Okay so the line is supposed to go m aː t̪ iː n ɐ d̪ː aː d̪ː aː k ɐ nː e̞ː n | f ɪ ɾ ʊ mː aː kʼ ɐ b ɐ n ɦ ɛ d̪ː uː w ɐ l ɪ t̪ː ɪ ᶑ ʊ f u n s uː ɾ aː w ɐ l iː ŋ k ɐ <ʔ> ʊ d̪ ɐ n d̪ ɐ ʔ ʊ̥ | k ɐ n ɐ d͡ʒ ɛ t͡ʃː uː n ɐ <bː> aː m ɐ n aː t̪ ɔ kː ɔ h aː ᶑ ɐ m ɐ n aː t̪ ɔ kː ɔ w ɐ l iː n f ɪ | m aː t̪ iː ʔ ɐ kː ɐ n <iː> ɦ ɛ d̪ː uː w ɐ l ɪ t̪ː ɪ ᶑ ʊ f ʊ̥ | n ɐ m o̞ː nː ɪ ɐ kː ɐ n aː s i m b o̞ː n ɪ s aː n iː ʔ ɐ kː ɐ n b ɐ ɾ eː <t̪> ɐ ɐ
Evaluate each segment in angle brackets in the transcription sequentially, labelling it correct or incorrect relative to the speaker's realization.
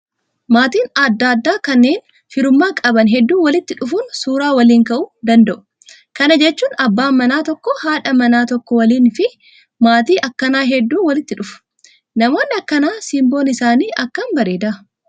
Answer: correct, correct, incorrect: aː, incorrect: d̪

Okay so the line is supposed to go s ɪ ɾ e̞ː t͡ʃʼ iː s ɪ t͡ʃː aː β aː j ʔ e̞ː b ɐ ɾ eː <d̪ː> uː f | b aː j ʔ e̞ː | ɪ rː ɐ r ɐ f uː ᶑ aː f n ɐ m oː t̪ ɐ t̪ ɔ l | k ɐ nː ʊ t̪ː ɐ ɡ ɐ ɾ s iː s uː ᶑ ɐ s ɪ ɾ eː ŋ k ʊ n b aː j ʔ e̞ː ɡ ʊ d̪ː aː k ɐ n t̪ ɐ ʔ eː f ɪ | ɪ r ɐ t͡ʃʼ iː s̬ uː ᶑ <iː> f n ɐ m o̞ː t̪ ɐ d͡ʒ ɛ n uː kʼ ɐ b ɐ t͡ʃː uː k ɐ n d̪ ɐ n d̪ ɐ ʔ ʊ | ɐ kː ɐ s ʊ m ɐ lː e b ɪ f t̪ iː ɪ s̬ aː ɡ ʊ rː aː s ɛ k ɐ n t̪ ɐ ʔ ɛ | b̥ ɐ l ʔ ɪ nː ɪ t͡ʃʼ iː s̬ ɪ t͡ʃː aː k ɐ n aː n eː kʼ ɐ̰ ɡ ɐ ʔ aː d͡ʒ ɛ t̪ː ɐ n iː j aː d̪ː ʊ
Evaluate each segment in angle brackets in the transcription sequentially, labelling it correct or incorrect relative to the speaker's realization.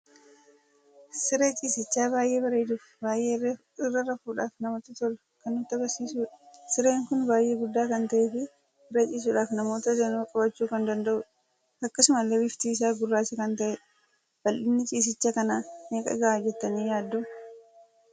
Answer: incorrect: d̪, incorrect: aː

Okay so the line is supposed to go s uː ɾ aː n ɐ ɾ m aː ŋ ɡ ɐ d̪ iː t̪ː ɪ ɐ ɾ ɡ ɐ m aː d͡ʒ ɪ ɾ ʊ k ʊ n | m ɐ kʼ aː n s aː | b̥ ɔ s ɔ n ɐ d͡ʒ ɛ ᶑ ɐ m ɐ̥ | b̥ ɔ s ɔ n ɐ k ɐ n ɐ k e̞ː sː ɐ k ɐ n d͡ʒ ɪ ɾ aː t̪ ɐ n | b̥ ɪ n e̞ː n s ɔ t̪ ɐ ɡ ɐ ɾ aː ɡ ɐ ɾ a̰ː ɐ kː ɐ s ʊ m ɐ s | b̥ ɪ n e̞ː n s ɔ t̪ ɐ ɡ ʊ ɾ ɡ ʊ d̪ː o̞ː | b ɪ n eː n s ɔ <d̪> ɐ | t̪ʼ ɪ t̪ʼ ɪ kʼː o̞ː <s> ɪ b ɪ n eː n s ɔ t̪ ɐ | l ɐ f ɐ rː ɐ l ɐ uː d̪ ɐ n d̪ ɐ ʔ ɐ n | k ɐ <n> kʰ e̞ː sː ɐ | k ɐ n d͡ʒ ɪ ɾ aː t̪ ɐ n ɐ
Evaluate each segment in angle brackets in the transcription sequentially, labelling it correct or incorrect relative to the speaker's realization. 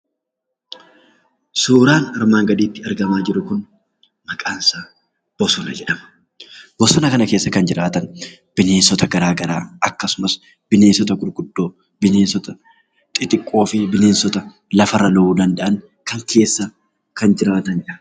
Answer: incorrect: t̪, incorrect: f, incorrect: ŋ

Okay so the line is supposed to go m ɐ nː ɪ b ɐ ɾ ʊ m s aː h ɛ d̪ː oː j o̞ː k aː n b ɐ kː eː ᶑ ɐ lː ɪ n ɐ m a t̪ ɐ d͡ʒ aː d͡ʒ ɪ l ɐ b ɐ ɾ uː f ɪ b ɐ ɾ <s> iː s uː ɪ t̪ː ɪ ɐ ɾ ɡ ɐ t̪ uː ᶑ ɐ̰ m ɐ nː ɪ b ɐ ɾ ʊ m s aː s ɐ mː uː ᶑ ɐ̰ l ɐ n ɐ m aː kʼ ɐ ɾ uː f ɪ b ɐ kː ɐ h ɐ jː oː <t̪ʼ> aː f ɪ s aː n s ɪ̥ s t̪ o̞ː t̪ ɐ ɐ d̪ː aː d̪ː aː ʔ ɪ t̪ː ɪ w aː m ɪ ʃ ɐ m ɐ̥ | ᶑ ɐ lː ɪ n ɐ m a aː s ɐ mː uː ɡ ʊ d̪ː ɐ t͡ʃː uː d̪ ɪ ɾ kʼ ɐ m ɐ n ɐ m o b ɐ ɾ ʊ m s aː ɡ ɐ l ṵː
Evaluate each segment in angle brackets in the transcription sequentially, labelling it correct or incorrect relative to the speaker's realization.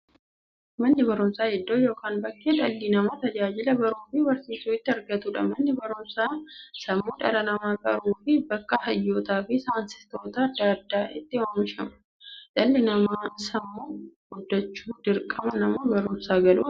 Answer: correct, incorrect: t̪

